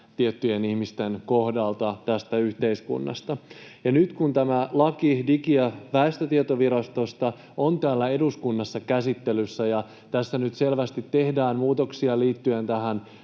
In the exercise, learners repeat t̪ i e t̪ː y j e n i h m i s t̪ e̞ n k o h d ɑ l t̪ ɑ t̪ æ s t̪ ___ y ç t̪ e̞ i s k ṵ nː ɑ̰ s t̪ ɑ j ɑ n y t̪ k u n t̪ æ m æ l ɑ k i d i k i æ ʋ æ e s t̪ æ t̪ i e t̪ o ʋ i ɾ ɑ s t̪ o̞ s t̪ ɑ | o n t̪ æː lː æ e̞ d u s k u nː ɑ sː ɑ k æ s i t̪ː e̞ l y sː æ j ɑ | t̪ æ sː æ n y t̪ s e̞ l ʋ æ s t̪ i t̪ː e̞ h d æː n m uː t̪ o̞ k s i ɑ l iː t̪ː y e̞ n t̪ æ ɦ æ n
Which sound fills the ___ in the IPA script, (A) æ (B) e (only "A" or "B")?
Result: A